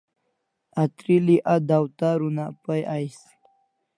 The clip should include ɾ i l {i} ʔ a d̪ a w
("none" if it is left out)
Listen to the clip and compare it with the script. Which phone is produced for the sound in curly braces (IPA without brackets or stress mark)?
i